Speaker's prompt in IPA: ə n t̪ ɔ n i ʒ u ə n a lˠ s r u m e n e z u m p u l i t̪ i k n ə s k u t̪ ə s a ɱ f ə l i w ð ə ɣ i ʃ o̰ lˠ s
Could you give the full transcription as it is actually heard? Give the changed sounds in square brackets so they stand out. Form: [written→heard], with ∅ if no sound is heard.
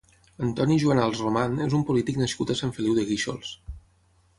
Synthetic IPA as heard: ə n t̪ ɔ n i ʒ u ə n a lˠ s r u m [e→a] n e z u m p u l i t̪ i k n ə s k u t̪ ə s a ɱ f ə l i w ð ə ɣ i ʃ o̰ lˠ s

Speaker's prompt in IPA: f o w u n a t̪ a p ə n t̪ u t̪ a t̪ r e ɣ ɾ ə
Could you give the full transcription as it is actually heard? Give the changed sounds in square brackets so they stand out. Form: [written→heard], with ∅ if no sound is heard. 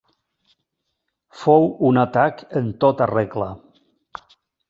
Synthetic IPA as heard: f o w u n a t̪ a [p→k] ə n t̪ [u→o] t̪ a [t̪→∅] r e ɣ [ɾ→l] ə

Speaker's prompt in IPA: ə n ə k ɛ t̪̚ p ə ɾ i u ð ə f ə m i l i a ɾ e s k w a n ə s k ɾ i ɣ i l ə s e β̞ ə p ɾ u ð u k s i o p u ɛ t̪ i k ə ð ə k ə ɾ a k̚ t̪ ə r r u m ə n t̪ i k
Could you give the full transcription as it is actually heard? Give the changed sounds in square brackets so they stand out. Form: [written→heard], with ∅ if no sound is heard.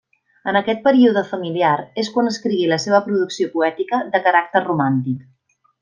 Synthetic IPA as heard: ə n ə k ɛ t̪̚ p ə ɾ i u ð ə f ə m i l i a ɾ e s k w a n ə s k ɾ i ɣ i l ə s e β̞ ə p ɾ u ð u k s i o p u ɛ t̪ i k ə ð ə k ə ɾ a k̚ t̪ ə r r u m [ə→a] n t̪ i k

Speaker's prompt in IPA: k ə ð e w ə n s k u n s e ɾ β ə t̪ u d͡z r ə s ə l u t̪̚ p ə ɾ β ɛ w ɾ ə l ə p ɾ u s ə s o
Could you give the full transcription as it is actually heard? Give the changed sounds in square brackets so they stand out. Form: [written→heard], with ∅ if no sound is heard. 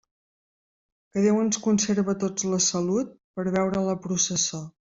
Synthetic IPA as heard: k ə ð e w ə n s k u n s e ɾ β ə t̪ [u→o] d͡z [r→l] ə s ə l u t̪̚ p ə ɾ β ɛ w ɾ ə l ə p ɾ u s ə s o

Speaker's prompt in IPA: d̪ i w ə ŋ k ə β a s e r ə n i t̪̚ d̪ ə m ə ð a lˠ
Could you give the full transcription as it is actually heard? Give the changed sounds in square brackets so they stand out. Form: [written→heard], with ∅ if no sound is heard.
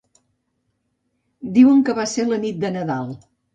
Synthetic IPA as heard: d̪ i w ə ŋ k ə β a s e [r→l] ə n i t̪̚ d̪ ə [m→n] ə ð a lˠ

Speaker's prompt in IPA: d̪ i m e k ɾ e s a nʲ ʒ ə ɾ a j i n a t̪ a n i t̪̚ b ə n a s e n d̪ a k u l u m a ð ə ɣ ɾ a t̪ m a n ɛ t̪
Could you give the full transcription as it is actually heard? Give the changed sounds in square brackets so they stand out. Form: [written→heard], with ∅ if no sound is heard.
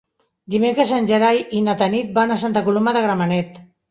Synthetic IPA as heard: d̪ i m e k ɾ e s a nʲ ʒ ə ɾ a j i n a t̪ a n i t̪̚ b [ə→a] n a s [e→a] n [d̪→t̪] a k u l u m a ð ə ɣ ɾ a [t̪→∅] m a n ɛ t̪

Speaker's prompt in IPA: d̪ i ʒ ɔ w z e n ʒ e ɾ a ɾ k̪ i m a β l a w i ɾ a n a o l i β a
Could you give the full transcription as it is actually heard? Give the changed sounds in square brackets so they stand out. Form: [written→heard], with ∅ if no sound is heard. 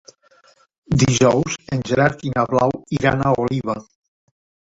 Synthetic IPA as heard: d̪ i ʒ ɔ w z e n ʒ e ɾ a ɾ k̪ i [m→n] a β l a w i ɾ a n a o l i β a

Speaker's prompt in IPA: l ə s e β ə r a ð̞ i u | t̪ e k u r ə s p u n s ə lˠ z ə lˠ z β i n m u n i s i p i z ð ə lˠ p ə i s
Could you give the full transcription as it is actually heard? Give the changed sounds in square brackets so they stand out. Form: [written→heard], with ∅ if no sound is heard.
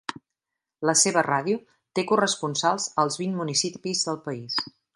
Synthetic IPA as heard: l ə s e β ə r a ð̞ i u | t̪ e k u r ə s p u n s [ə→a] lˠ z ə lˠ z β i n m u n i s i p i z ð ə lˠ p ə i s

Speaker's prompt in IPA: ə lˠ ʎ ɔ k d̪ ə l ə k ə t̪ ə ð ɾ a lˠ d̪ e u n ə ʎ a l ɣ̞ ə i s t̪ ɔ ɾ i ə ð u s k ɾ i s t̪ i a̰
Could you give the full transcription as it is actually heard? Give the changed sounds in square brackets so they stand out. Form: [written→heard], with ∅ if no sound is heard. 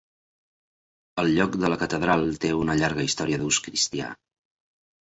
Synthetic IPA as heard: ə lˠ ʎ ɔ k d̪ ə l ə k ə t̪ ə ð ɾ a lˠ [d̪→t̪] e u n ə ʎ a [l→ɾ] ɣ̞ ə i s t̪ ɔ ɾ i ə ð u s k ɾ i s t̪ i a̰

